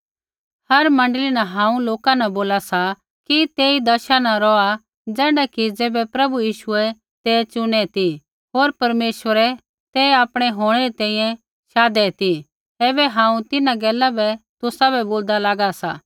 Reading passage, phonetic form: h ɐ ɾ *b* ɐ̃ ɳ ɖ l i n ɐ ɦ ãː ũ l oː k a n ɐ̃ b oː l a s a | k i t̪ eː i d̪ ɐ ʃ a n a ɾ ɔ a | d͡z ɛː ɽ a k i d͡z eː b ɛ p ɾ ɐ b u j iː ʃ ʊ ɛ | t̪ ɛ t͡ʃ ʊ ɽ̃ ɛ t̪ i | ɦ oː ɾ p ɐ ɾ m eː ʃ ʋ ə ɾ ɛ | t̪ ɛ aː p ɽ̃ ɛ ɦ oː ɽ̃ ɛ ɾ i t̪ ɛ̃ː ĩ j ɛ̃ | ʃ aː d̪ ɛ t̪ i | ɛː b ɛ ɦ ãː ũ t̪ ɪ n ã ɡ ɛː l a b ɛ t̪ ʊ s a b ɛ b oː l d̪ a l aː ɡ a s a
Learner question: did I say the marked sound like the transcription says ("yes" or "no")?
no